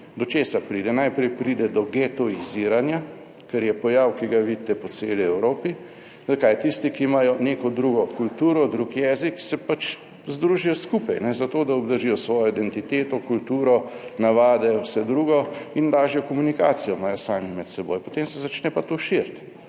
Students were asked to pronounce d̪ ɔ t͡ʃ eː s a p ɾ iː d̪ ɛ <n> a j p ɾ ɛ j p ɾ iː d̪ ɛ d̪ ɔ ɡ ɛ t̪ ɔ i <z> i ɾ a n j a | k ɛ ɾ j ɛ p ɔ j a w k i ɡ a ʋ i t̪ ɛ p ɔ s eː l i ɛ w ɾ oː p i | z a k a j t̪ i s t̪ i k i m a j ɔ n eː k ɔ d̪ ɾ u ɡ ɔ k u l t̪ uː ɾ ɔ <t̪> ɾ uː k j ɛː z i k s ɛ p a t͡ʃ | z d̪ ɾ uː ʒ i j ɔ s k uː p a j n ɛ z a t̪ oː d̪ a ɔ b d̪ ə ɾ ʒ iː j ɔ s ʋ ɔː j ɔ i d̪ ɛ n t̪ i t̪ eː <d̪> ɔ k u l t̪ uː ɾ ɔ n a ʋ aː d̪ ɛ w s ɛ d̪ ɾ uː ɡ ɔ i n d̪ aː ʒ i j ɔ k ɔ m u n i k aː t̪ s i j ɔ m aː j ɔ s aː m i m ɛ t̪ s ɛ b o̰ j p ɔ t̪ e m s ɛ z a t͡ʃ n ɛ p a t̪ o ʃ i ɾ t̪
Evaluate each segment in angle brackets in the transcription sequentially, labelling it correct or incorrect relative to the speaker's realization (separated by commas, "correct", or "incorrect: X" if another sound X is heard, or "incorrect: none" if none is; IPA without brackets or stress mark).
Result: correct, correct, incorrect: d̪, incorrect: t̪